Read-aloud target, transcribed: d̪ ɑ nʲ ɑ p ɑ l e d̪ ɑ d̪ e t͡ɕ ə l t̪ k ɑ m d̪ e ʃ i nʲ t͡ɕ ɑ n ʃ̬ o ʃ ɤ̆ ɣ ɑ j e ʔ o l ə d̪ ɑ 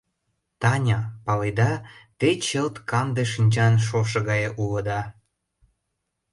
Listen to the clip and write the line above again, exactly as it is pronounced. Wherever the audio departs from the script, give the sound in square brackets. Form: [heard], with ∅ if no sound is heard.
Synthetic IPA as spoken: [t̪] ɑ nʲ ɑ p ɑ l e d̪ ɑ [t̪] e t͡ɕ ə l t̪ k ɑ m d̪ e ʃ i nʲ t͡ɕ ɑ n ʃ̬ o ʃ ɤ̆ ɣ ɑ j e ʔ [u] l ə d̪ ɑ